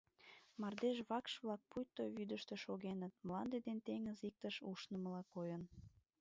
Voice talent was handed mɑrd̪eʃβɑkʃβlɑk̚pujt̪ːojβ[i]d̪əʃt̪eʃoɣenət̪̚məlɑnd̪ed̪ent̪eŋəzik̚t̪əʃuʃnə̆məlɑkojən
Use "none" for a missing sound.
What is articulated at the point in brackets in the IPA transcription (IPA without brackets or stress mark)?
y